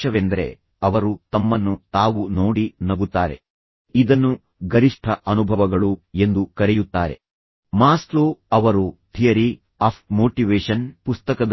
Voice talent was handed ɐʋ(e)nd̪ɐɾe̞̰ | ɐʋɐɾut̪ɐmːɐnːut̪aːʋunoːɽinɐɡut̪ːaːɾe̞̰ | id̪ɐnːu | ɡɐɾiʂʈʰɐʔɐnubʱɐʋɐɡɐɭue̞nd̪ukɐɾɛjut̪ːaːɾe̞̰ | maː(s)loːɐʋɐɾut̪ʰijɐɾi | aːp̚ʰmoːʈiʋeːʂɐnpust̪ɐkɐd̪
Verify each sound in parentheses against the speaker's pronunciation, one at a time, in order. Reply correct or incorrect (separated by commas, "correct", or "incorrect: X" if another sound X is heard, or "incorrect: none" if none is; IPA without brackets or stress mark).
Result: correct, correct